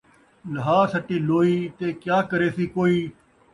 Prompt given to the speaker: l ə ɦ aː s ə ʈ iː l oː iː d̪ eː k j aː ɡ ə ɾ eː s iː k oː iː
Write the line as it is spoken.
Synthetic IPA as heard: l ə ɦ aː s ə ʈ iː l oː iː t̪ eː k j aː k ə ɾ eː s iː k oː iː